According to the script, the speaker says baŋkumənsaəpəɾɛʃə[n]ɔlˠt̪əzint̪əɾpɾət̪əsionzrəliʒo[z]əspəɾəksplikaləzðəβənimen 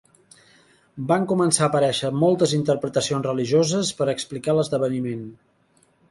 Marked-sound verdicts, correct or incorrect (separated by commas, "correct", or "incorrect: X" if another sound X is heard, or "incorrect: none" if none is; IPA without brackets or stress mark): incorrect: m, correct